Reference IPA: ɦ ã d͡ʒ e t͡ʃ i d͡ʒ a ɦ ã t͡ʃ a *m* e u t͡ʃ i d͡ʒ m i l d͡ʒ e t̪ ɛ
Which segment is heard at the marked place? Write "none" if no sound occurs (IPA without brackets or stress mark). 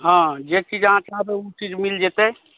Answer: b